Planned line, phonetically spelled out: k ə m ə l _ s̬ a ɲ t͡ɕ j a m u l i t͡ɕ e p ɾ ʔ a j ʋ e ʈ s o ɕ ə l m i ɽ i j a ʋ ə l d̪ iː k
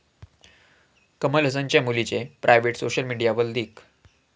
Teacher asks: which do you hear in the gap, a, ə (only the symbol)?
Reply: ə